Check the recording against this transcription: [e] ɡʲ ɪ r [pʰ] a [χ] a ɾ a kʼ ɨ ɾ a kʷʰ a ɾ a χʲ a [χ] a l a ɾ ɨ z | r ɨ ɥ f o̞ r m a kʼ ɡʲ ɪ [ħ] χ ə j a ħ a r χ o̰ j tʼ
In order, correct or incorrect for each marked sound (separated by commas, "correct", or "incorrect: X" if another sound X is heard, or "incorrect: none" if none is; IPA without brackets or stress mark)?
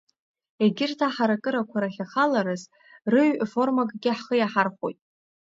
correct, incorrect: tʰ, incorrect: ħ, correct, correct